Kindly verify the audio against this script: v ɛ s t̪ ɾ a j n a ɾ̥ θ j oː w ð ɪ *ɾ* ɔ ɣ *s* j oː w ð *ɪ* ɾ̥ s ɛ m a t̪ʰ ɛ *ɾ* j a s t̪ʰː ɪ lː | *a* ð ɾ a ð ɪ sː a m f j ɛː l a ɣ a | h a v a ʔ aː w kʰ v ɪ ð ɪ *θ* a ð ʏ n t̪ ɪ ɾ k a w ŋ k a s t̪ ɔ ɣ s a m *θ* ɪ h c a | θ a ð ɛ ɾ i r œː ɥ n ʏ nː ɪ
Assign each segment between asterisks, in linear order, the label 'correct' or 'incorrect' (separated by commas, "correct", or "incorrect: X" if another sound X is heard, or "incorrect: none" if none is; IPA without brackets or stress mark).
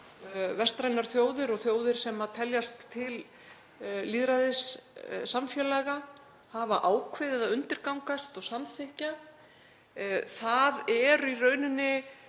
correct, incorrect: θ, correct, incorrect: l, incorrect: i, incorrect: ð, correct